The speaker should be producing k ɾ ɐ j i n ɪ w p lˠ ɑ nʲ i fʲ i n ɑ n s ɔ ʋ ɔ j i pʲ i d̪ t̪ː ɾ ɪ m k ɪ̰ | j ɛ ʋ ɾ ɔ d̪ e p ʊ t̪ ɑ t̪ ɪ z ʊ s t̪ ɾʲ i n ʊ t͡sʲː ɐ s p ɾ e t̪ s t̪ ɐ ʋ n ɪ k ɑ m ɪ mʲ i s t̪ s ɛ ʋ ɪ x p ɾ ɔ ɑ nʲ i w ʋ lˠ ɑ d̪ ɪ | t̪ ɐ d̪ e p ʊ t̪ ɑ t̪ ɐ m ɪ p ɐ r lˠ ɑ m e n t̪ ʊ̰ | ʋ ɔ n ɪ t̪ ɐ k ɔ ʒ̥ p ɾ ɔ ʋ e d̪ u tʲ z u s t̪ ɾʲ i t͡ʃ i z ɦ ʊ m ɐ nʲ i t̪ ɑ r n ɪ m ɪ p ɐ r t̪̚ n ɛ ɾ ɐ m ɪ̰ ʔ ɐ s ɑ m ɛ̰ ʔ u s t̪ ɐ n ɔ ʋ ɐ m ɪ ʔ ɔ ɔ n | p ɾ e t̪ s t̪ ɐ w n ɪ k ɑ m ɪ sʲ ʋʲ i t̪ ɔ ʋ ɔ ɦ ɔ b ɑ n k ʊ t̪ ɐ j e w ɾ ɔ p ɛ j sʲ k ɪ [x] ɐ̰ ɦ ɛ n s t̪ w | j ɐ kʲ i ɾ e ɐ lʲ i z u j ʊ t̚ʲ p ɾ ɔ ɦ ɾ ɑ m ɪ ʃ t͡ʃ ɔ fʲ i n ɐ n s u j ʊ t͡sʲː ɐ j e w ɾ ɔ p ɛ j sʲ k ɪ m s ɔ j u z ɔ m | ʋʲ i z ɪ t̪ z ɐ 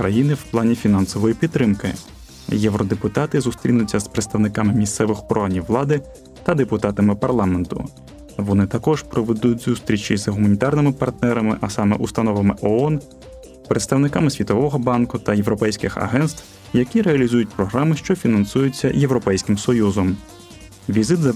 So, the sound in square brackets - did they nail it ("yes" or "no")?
yes